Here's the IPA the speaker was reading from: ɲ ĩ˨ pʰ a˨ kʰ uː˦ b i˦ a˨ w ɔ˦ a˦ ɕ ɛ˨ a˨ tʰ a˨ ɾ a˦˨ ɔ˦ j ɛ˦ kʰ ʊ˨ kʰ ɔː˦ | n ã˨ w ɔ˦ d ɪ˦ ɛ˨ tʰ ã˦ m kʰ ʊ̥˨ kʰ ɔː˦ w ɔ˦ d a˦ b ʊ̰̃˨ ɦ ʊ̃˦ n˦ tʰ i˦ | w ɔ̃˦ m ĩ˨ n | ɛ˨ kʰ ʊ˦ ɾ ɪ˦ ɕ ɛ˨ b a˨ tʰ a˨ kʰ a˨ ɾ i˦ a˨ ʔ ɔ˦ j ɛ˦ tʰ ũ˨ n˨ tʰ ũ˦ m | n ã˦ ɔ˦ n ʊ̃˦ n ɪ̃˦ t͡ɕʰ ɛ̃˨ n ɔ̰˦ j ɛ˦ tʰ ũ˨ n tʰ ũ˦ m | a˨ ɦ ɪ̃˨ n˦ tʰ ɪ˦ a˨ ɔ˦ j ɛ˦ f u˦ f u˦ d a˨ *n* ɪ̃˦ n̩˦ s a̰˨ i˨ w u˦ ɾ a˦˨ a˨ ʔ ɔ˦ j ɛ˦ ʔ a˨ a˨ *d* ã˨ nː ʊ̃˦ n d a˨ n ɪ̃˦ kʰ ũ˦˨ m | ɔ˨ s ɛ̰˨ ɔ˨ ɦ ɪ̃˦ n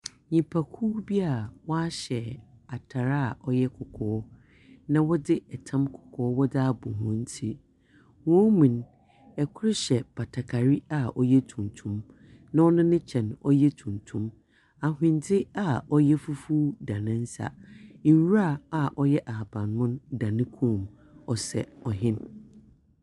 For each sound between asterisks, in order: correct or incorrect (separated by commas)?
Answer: correct, incorrect